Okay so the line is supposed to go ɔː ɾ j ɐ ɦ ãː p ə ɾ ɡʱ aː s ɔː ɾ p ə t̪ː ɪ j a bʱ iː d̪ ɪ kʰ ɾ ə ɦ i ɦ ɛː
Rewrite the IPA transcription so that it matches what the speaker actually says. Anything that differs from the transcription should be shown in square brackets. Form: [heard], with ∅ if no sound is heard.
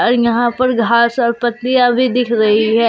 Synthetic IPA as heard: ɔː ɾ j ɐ ɦ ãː p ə ɾ ɡʱ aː s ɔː ɾ p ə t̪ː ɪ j a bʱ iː d̪ ɪ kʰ ɾ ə ɦ i ɦ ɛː